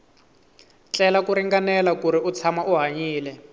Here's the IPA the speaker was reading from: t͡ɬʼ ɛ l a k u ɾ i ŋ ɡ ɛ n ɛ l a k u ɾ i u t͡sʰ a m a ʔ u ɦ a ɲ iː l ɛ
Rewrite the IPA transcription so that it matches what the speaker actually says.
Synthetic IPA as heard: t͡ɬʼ ɛ l a k u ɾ i ŋ ɡ a n ɛ l a k u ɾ i u t͡sʰ a m a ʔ u ɦ a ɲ iː l ɛ